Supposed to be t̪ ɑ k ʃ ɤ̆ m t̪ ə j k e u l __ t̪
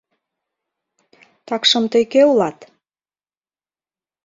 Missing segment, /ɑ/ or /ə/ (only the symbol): ɑ